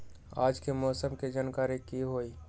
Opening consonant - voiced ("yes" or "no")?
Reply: yes